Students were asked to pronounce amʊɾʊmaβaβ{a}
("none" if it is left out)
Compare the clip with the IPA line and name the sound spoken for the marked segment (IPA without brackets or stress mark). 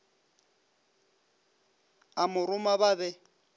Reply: ɛ